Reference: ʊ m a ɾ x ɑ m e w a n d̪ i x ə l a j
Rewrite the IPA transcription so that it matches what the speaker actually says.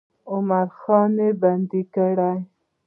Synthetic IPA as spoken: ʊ m a ɾ x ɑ n e b a n d̪ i k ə ɽ a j